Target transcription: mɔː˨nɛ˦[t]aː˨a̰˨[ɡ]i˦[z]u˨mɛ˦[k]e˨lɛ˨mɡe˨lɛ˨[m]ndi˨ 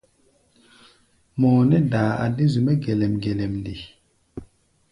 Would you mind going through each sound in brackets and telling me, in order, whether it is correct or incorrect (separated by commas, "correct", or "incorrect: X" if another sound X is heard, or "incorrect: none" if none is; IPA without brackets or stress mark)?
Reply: incorrect: d, incorrect: d, correct, incorrect: ɡ, correct